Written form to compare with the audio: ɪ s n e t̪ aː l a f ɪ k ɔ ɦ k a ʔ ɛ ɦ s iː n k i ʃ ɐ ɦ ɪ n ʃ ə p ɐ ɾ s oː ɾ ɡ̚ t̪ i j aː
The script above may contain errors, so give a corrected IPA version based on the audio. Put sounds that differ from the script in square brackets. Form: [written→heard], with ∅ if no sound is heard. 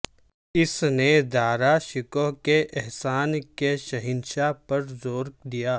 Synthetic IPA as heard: ɪ s n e [t̪→d̪] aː [l→ɾ] a [f→ʃ] ɪ k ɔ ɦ k [a→e] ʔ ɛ ɦ s [iː→aː] n k [i→e] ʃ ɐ ɦ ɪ n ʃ [ə→a] p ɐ ɾ [s→z] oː ɾ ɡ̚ [t̪→d̪] i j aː